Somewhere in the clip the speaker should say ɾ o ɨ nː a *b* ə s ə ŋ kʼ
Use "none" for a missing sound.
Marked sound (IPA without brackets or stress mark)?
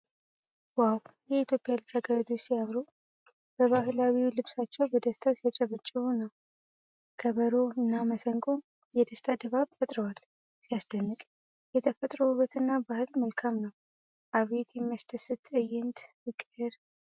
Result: m